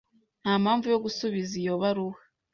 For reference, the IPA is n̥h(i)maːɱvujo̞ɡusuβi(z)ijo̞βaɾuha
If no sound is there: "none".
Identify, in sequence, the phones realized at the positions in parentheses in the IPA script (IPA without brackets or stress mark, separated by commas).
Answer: a, z